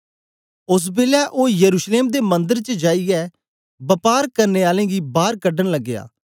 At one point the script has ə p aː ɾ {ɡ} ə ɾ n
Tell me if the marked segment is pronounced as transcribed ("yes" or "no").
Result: no